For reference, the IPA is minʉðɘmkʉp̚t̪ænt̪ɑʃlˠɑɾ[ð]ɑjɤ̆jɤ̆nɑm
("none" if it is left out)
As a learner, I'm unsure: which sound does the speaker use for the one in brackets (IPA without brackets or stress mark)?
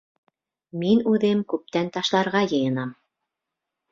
ʁ